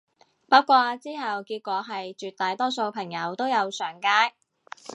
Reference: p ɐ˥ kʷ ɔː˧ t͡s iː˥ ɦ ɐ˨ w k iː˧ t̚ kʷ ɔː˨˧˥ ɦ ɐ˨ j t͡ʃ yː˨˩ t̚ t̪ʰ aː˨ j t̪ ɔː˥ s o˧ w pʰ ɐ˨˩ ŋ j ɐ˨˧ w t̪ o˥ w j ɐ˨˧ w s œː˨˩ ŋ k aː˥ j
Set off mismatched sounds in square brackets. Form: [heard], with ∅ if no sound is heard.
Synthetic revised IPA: p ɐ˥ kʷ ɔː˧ t͡s iː˥ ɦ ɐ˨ w k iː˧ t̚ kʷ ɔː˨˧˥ ɦ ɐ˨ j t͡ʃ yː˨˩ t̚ [t̪] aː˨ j t̪ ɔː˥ s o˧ w pʰ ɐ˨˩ ŋ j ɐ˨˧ w t̪ o˥ w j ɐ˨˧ w s œː˨˩ ŋ k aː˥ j